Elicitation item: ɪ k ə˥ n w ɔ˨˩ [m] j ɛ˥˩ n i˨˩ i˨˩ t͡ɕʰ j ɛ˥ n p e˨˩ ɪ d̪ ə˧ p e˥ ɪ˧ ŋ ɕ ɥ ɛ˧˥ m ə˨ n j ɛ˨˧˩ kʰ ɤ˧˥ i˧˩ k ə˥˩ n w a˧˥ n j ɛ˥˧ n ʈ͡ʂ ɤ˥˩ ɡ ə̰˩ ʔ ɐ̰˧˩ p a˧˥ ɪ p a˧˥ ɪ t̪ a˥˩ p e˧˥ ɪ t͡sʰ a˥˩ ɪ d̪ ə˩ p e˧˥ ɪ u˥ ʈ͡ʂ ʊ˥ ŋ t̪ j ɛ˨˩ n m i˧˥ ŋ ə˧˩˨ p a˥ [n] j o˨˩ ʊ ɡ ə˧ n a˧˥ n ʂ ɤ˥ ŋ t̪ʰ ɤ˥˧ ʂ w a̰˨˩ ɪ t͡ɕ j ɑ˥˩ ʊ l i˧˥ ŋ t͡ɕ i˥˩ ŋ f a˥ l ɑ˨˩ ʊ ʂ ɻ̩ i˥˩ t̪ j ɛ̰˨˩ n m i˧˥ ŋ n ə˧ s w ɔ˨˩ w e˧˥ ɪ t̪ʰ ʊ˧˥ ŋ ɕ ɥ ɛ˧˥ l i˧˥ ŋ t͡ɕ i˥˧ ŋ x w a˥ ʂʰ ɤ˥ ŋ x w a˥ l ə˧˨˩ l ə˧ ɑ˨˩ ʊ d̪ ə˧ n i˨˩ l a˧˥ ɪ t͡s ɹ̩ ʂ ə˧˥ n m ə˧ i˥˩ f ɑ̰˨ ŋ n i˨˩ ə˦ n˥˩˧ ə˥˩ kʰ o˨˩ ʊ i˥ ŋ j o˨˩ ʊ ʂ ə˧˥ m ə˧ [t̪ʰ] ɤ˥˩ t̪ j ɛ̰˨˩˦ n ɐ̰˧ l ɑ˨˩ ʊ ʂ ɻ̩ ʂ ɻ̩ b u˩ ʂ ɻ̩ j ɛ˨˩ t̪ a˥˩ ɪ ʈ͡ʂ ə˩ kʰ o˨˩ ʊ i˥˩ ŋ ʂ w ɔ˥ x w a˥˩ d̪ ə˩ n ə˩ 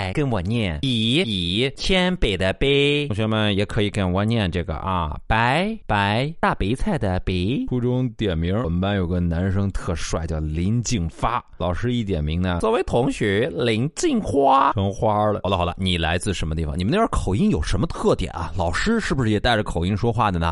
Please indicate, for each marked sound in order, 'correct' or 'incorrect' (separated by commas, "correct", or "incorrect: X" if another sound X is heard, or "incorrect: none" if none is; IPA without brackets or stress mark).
incorrect: n, correct, correct